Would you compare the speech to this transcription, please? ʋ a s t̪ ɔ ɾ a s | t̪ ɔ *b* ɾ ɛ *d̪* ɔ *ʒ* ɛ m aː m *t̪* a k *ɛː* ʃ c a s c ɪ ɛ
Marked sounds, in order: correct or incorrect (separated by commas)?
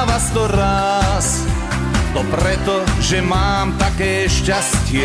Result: incorrect, incorrect, correct, correct, correct